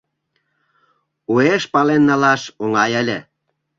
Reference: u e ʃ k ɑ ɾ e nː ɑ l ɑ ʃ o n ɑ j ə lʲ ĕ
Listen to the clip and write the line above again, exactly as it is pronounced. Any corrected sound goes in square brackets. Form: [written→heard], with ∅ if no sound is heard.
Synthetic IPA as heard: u e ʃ [k→p] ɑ [ɾ→l] e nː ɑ l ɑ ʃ o [n→ŋ] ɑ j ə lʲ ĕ